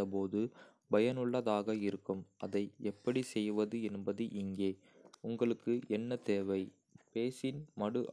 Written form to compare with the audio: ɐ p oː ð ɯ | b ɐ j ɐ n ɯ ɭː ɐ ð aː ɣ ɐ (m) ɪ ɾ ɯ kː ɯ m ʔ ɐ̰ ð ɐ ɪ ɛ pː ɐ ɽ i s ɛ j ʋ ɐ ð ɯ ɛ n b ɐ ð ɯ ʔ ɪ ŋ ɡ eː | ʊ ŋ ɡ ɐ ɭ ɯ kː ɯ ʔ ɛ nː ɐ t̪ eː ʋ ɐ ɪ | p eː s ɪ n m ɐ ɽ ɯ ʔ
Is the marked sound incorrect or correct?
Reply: incorrect